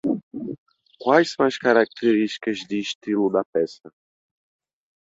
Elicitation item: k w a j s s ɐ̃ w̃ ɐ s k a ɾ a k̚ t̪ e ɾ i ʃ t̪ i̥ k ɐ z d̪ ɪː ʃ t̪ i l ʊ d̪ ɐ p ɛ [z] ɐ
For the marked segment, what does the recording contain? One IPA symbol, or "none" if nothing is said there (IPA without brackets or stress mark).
s